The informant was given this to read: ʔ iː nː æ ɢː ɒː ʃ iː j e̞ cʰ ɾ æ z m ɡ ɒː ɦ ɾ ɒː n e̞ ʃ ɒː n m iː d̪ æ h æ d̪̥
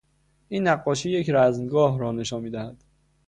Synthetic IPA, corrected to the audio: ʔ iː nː æ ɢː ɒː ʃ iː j e̞ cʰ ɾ æ z m ɡ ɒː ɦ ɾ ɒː n e̞ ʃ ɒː n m iː d̪ æ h æ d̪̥